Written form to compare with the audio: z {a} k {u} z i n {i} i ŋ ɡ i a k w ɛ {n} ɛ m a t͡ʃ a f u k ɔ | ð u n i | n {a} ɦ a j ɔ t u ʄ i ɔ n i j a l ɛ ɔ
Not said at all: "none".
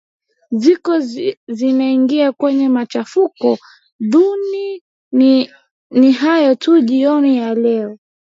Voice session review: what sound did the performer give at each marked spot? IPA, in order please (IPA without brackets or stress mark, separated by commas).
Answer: i, ɔ, a, ɲ, i